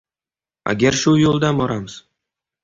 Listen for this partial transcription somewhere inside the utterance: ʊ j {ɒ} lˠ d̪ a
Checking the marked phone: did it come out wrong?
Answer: yes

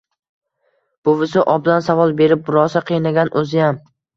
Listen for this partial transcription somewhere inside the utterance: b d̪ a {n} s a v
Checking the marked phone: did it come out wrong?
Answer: no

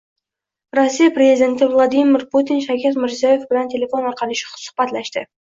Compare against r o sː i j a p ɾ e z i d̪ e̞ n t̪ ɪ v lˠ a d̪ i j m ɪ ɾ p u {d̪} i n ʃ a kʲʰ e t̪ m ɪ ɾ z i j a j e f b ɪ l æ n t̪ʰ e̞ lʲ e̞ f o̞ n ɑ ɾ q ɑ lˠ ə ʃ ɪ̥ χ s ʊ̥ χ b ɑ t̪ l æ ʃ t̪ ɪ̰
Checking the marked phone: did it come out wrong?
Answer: yes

